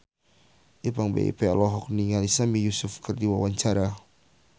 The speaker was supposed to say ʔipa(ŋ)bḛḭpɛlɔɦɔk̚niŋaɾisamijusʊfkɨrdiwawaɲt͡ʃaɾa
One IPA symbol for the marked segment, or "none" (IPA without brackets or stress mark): ŋ